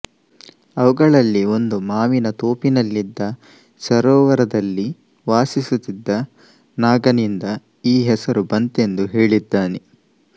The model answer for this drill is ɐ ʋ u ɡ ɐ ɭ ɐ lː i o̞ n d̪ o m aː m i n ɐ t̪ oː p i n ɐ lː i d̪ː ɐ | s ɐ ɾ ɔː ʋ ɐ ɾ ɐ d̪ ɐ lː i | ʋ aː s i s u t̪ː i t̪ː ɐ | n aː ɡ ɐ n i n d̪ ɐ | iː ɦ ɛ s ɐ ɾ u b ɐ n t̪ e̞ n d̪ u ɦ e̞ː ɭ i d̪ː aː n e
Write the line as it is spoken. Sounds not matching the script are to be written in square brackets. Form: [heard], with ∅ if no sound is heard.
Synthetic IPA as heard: ɐ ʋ u ɡ ɐ ɭ ɐ lː i o̞ n d̪ [u] m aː m i n ɐ t̪ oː p i n ɐ lː i d̪ː ɐ | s ɐ ɾ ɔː ʋ ɐ ɾ ɐ d̪ ɐ lː i | ʋ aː s i s u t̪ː i [d̪ː] ɐ | n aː ɡ ɐ n i n d̪ ɐ | iː ɦ ɛ s ɐ ɾ u b ɐ n t̪ e̞ n d̪ u ɦ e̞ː ɭ i d̪ː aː n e

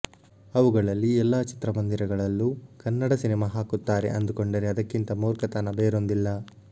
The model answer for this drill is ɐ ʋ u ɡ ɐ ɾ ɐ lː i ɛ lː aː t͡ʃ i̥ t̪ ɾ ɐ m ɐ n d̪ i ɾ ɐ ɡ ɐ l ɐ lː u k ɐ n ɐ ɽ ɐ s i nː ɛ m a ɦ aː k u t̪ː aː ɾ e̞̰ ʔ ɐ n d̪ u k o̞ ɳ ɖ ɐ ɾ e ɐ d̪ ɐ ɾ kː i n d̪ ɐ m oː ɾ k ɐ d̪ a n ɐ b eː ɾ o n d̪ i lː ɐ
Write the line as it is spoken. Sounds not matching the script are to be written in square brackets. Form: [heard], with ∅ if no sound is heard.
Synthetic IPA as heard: ɐ ʋ u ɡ ɐ [ɭ] ɐ lː i ɛ lː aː t͡ʃ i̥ t̪ ɾ ɐ m ɐ n d̪ i ɾ ɐ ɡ ɐ [ɭ] ɐ lː u k ɐ [nː] ɐ ɽ ɐ s i [n] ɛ m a ɦ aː k u t̪ː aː ɾ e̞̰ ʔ ɐ n d̪ u k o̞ ɳ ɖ ɐ ɾ e ɐ d̪ ɐ [∅] kː i n [t̪] ɐ m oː ɾ k ɐ [t̪] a n ɐ b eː ɾ o n d̪ i lː ɐ

